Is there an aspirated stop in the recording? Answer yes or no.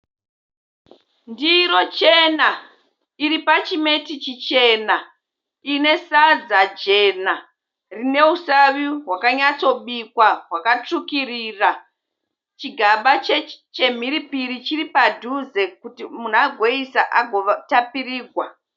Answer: no